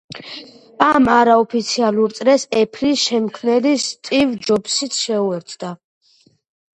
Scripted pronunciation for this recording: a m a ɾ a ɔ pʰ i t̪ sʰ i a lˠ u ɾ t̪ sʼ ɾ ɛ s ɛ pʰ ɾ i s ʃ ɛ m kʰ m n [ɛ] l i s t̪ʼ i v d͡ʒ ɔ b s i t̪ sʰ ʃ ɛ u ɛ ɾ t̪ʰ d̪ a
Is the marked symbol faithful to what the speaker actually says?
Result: yes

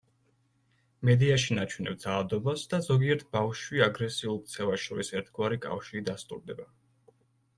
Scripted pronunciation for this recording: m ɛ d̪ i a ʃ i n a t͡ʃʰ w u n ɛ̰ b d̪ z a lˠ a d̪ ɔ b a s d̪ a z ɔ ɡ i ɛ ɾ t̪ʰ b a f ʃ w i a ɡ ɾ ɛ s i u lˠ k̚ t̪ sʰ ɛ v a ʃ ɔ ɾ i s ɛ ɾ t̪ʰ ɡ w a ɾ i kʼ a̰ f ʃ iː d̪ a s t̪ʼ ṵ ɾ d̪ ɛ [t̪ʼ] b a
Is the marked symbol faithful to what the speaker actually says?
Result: no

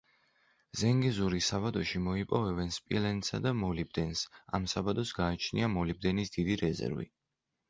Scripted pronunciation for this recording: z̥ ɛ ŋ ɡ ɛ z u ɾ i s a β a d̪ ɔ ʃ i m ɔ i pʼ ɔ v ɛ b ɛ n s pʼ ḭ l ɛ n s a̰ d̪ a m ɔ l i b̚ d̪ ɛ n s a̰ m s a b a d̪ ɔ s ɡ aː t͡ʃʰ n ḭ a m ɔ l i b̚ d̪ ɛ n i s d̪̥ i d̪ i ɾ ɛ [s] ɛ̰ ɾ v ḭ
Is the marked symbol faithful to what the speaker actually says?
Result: no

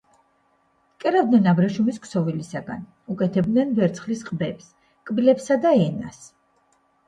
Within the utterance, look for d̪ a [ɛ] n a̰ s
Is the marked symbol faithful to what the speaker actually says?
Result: yes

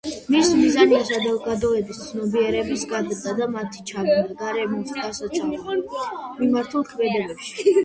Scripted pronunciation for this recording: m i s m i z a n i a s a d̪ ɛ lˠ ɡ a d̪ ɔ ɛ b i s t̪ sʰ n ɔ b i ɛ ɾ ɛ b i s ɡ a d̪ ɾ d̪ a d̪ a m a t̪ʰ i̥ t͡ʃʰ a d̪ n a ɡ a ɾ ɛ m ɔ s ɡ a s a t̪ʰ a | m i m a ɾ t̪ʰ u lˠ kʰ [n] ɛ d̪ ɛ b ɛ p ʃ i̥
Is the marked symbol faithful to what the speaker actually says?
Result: no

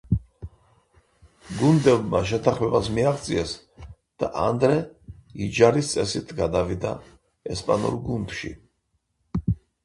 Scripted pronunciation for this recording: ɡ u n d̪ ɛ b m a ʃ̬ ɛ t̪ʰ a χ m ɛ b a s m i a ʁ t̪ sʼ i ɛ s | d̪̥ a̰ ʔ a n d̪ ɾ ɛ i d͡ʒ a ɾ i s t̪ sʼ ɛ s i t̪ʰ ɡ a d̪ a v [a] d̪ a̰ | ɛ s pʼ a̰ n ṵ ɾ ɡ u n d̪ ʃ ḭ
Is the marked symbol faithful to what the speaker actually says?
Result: no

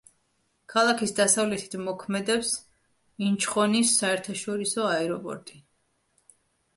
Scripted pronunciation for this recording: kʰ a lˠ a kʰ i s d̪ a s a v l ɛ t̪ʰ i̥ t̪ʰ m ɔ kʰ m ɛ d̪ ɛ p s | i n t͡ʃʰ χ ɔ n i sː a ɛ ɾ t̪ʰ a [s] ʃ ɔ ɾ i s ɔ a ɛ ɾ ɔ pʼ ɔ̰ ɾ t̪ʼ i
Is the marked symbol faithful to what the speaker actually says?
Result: no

